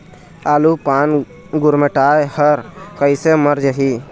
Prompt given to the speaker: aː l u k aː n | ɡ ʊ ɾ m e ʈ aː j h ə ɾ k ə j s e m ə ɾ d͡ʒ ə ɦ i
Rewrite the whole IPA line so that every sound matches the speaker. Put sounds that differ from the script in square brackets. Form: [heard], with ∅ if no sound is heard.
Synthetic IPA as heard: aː l u [p] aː n | ɡ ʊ ɾ m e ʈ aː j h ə ɾ k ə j s e m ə ɾ d͡ʒ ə ɦ i